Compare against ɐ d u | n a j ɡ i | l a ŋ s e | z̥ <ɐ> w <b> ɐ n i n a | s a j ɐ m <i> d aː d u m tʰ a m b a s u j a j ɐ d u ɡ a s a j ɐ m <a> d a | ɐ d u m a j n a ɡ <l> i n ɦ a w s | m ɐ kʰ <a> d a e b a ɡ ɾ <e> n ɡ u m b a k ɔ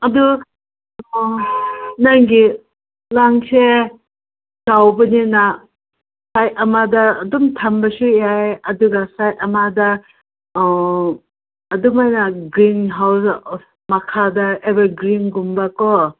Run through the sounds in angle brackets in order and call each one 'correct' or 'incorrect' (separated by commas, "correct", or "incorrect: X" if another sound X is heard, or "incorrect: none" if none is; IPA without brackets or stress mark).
incorrect: a, correct, incorrect: a, correct, incorrect: ɾ, correct, incorrect: i